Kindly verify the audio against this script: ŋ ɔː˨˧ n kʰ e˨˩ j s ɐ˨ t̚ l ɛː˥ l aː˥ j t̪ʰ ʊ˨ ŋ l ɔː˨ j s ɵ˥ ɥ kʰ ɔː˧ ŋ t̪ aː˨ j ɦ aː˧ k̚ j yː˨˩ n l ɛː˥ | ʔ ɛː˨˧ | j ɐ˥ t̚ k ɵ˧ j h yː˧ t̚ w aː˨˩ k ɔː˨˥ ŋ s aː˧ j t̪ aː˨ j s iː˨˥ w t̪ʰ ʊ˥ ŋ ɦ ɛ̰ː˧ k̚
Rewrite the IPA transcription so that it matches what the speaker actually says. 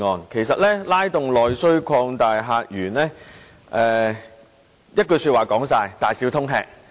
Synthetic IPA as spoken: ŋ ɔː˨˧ n kʰ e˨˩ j s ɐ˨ t̚ l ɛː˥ l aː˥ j t̪ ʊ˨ ŋ l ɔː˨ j s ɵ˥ ɥ kʰ ɔː˧ ŋ t̪ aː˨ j ɦ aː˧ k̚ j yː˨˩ n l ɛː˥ | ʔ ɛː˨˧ | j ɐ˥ t̚ k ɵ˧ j s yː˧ t̚ w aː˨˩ k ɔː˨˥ ŋ s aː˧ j t̪ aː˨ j s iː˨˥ w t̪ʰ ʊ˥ ŋ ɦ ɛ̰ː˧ k̚

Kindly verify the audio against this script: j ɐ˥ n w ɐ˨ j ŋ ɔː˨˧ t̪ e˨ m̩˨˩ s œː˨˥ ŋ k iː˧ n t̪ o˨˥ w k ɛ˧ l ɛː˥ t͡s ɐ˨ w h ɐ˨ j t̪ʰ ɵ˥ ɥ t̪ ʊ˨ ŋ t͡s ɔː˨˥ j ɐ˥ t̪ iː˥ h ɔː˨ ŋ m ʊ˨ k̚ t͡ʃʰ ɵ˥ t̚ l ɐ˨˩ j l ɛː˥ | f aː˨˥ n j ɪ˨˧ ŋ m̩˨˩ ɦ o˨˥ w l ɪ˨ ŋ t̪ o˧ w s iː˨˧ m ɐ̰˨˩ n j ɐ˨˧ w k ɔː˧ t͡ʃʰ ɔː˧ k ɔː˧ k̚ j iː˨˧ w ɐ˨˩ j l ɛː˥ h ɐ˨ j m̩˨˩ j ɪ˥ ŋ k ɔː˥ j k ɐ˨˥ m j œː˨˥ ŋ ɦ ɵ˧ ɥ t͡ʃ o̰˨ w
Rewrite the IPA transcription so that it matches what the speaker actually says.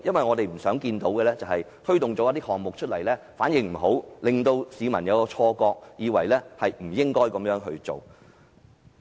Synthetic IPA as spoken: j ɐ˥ n w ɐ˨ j ŋ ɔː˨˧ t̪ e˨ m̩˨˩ s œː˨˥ ŋ k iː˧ n t̪ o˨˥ w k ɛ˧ l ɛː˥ t͡s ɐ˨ w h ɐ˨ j t̪ʰ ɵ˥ ɥ t̪ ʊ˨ ŋ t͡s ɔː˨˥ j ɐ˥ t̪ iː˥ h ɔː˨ ŋ m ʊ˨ k̚ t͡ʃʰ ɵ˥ t̚ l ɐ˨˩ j l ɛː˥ | f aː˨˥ n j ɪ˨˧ ŋ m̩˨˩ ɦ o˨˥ w l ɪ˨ ŋ t̪ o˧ w s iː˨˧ m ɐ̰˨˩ n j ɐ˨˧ w k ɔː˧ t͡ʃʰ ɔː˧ k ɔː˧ k̚ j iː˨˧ w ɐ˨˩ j l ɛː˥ h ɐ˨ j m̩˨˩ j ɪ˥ ŋ k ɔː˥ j k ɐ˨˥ m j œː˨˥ ŋ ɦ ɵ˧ ɥ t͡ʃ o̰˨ w

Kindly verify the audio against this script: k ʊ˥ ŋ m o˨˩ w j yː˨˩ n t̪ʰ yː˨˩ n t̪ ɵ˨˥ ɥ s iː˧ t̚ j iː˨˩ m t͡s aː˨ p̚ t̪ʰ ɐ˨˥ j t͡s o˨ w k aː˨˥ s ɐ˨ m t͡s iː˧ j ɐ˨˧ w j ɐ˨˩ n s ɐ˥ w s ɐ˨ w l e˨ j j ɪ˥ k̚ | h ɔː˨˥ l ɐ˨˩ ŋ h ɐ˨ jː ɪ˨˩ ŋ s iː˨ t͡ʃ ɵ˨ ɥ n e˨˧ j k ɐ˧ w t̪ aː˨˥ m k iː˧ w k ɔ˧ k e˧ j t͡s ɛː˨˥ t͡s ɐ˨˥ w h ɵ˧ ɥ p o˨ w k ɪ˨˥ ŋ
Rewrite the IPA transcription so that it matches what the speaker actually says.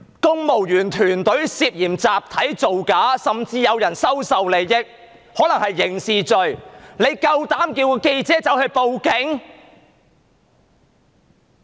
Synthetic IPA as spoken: k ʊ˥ ŋ m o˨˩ w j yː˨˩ n t̪ʰ yː˨˩ n t̪ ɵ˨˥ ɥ s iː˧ p̚ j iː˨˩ m t͡s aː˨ p̚ t̪ʰ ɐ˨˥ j t͡s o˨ w k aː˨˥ s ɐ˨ m t͡s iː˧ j ɐ˨˧ w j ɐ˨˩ n s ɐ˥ w s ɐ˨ w l e˨ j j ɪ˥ k̚ | h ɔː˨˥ l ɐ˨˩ ŋ h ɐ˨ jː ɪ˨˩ ŋ s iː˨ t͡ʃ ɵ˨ ɥ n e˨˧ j k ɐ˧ w t̪ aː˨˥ m k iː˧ w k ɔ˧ k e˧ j t͡s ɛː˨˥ t͡s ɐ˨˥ w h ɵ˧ ɥ p o˨ w k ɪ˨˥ ŋ

